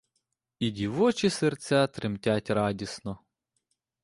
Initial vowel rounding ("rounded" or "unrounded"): unrounded